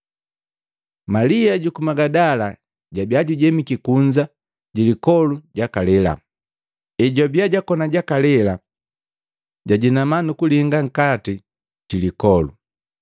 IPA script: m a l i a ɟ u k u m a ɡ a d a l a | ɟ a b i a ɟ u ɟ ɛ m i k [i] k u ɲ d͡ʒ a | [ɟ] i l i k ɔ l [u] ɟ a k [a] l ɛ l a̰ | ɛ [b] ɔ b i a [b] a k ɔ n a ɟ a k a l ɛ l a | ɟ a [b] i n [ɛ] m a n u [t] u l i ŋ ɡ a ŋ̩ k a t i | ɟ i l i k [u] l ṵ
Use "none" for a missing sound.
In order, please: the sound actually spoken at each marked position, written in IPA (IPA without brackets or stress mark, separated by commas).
i, ɟ, u, a, ɟ, ɟ, ɟ, a, k, ɔ